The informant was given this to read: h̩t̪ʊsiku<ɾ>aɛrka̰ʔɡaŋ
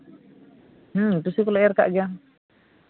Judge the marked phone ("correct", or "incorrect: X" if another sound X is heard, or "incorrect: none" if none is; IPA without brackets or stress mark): incorrect: l